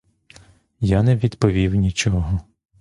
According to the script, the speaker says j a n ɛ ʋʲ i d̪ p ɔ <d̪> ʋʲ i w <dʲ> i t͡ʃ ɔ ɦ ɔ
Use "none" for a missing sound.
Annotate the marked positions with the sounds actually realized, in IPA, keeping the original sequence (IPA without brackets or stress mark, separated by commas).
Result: none, nʲ